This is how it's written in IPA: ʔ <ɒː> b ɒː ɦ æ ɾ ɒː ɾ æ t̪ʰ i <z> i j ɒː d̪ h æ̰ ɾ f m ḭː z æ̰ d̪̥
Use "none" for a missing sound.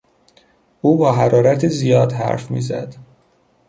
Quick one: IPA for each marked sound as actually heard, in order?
uː, z

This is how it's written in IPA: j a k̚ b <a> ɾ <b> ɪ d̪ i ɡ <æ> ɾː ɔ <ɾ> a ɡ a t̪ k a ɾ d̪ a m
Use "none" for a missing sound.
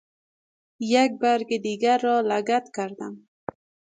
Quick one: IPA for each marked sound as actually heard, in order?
a, ɡ, a, l

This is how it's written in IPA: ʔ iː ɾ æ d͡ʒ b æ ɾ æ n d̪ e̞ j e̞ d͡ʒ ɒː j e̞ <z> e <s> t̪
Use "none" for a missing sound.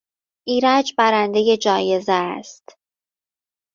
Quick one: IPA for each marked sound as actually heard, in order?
z, s

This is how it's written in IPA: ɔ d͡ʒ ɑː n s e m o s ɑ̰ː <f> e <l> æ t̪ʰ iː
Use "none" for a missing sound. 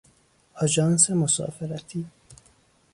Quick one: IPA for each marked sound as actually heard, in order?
f, ɾ

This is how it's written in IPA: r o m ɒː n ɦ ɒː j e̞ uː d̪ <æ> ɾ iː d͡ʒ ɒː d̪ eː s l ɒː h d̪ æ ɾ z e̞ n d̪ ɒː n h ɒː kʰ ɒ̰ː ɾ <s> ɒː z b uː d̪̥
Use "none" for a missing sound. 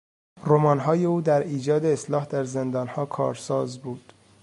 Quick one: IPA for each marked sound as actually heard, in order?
æ, s

